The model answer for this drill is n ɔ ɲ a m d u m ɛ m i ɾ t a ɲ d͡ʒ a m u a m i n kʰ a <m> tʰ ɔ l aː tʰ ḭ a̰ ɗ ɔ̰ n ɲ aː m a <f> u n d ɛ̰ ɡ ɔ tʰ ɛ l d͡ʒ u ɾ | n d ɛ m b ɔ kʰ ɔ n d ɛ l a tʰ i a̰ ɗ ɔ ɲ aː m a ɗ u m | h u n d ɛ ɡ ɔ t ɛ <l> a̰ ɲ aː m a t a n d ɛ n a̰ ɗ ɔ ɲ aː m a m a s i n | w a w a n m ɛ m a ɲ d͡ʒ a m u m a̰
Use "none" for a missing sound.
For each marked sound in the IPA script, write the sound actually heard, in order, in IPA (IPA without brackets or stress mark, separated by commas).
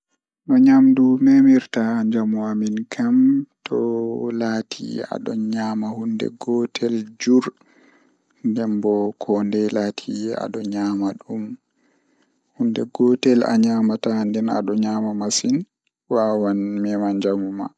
m, h, l